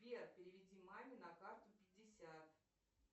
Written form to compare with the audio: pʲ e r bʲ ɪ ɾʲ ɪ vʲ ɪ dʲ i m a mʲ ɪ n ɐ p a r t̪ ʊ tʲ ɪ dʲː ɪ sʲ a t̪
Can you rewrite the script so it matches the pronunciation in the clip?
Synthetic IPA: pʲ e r pʲ ɪ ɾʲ ɪ vʲ ɪ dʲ i m a mʲ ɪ n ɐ k a r t̪ ʊ pʲ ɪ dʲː ɪ sʲ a t̪